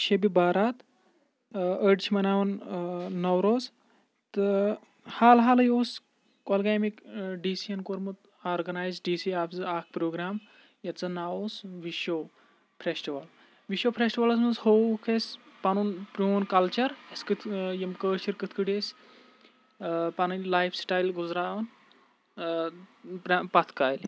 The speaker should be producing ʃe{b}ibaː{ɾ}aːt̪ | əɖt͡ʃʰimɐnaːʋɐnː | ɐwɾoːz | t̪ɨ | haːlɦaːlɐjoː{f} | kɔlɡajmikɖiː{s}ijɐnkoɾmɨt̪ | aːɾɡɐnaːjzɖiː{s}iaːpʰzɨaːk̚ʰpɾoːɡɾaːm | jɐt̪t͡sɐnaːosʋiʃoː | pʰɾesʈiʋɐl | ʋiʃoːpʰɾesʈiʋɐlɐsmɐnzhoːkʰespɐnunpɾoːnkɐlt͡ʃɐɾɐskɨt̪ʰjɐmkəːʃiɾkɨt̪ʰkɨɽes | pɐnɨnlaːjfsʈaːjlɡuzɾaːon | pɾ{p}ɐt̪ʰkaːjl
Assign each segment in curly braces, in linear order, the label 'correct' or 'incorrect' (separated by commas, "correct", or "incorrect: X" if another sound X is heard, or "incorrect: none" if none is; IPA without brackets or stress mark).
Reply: correct, correct, incorrect: s, correct, correct, correct